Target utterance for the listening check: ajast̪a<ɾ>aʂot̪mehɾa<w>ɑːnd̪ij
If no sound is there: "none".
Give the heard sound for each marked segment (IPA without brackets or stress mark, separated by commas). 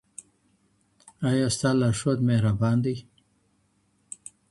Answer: l, b